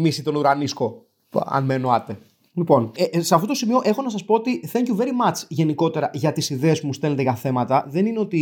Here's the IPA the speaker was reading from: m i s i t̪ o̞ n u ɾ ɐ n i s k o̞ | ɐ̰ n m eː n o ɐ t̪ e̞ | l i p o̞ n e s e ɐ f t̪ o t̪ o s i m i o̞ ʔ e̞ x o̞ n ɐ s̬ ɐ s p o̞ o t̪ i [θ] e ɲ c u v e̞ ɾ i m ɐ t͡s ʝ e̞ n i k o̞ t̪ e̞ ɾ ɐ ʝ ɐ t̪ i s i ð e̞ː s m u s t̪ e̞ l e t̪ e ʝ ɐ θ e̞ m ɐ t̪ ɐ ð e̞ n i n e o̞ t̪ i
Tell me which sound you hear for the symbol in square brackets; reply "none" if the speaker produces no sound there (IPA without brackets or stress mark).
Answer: θ